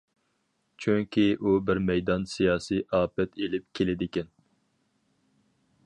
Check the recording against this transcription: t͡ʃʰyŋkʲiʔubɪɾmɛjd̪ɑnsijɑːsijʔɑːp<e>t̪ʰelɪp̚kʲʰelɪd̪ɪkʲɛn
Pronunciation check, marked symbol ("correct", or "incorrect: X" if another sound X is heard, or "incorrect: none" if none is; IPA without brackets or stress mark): incorrect: ɛ